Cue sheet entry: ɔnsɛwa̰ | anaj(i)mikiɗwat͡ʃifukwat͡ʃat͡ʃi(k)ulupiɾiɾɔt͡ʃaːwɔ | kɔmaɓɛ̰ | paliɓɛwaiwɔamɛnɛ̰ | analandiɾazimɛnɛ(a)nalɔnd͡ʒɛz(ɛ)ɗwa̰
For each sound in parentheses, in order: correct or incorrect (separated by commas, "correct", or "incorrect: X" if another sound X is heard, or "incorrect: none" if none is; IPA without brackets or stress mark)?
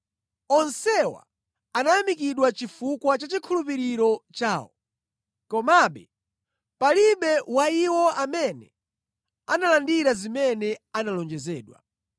incorrect: a, incorrect: kʰ, correct, incorrect: ɛː